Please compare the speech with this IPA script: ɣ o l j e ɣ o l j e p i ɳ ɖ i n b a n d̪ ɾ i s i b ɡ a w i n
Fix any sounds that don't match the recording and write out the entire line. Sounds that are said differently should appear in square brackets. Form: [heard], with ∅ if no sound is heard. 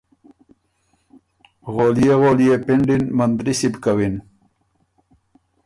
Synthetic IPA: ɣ o l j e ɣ o l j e p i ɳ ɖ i n [m] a n d̪ ɾ i s i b [k] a w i n

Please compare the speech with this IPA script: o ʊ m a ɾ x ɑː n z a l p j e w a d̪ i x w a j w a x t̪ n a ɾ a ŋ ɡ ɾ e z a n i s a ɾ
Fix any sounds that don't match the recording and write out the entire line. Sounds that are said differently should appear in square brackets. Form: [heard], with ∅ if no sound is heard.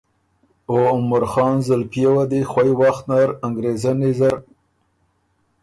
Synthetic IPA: o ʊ m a ɾ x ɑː n z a l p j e w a d̪ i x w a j w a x t̪ n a ɾ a ŋ ɡ ɾ e z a n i [z] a ɾ

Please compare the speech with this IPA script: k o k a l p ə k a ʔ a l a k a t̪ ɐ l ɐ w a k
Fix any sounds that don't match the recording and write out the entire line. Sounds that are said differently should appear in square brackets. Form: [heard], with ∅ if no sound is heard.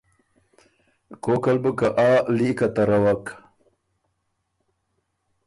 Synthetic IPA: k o k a l [b] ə k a ʔ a l [i] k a t̪ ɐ [ɾ] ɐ w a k

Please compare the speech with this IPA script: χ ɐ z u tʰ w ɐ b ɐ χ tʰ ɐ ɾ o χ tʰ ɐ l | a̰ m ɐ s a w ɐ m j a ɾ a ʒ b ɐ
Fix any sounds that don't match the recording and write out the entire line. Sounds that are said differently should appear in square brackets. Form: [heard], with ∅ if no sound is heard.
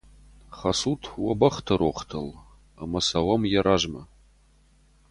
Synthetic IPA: χ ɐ [s] u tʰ w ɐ b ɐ χ tʰ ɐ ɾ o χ tʰ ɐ l | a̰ m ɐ s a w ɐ m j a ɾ a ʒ [m] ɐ

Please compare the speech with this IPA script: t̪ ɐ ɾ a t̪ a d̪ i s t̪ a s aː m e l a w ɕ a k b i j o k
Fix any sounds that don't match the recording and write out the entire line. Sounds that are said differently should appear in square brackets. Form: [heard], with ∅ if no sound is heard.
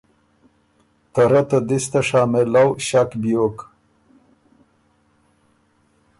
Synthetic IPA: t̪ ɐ ɾ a t̪ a d̪ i s t̪ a [ʂ] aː m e l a w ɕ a k b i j o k

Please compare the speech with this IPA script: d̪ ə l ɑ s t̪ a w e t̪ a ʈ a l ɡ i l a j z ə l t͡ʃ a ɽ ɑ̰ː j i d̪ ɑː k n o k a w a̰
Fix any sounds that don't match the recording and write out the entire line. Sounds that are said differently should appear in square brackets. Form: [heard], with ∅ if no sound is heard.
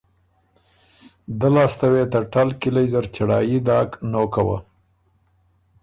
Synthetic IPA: d̪ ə l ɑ s t̪ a w e t̪ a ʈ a l [k] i l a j z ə [ɾ] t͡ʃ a ɽ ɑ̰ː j i d̪ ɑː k n o k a w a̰

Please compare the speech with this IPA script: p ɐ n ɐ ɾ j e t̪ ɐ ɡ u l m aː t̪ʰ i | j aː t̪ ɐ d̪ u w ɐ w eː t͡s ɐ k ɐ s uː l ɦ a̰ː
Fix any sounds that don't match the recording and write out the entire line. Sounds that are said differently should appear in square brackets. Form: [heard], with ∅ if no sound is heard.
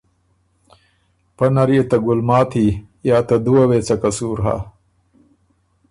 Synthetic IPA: p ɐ n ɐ ɾ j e t̪ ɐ ɡ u l m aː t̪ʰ i | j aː t̪ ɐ d̪ u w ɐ w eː t͡s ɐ k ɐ s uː [ɾ] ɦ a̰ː

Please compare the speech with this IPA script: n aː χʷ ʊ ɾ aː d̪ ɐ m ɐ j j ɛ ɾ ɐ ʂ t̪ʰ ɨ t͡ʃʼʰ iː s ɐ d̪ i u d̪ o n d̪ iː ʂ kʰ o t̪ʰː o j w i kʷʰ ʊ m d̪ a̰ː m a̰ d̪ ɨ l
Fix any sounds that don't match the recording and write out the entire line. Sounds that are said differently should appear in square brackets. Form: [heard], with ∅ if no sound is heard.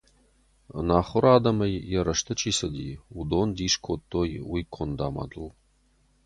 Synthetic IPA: n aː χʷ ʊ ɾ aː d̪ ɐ m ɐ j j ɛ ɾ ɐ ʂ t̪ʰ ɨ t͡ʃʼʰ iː s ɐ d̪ i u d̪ o n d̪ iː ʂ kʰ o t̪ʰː o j w i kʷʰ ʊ [n] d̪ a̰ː m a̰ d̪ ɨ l

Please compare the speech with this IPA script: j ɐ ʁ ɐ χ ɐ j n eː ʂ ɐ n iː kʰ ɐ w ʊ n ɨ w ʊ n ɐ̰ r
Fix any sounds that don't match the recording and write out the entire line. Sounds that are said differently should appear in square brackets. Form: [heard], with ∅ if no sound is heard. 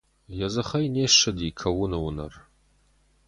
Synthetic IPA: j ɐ [z] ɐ χ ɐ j n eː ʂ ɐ [d] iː kʰ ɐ w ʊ n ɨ w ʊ n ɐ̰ r

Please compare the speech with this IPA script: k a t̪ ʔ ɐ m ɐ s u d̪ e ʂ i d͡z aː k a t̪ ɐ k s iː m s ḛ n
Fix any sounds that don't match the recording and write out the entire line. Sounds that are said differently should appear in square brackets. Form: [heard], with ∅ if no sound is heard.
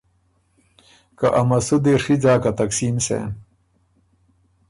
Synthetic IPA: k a [∅] ʔ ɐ m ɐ s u d̪ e ʂ i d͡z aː k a t̪ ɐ k s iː m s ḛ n

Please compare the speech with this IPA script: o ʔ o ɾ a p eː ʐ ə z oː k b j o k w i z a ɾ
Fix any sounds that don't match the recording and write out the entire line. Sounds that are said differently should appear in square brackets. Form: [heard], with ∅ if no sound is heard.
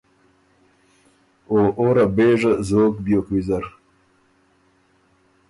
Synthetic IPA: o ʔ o ɾ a [b] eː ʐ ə z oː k b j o k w i z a ɾ

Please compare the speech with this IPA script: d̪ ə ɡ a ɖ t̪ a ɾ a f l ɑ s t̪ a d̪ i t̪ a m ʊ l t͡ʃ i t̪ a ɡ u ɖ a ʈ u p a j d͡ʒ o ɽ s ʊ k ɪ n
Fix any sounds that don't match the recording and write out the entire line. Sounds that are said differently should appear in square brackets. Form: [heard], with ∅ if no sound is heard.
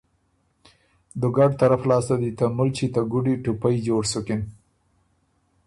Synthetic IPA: d̪ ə ɡ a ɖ t̪ a ɾ a f l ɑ s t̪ a d̪ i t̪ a m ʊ l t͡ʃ i t̪ a ɡ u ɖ [i] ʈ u p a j d͡ʒ o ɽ s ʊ k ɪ n

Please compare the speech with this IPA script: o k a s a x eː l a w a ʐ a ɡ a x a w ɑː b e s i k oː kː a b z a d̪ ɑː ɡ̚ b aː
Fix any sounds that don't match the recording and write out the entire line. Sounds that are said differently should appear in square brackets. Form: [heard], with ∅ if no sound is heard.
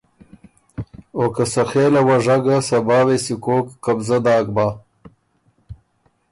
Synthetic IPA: o k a s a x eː l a w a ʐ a ɡ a [s] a [b] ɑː [w] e s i k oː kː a b z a d̪ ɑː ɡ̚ b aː

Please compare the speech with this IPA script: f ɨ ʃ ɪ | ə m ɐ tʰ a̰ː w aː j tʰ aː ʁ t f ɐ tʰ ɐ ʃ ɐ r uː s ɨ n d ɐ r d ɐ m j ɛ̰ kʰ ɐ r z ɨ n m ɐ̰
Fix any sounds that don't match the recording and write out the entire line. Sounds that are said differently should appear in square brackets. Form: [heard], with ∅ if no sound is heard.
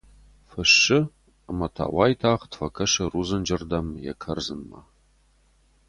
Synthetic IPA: f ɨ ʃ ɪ | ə m ɐ tʰ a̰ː w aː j tʰ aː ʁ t f ɐ [kʰ] ɐ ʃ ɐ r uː [z] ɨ n [d͡ʒ] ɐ r d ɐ m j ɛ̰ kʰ ɐ r z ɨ n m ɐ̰

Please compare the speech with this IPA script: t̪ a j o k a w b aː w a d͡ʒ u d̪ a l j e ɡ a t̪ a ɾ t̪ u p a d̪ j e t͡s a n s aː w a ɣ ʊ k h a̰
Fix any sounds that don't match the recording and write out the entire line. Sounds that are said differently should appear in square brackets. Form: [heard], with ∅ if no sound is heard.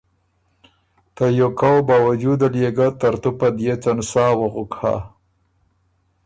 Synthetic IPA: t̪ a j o k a w b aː w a d͡ʒ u d̪ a l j e ɡ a t̪ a ɾ t̪ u p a d̪ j e t͡s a n s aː w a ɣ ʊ k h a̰

